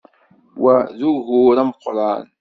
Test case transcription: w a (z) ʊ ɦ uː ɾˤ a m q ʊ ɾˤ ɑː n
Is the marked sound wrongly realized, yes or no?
no